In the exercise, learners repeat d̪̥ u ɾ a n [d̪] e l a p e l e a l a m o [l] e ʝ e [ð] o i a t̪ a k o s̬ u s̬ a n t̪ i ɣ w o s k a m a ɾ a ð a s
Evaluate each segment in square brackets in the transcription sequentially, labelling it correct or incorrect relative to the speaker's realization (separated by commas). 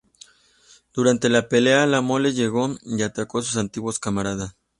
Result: incorrect, correct, incorrect